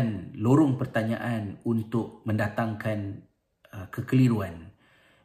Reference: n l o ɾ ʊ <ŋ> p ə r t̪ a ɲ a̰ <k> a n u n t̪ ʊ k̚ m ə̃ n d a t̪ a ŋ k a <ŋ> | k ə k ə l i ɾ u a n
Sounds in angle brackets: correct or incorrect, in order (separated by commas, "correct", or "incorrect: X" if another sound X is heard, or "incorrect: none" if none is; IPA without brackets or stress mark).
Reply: correct, incorrect: ʔ, incorrect: n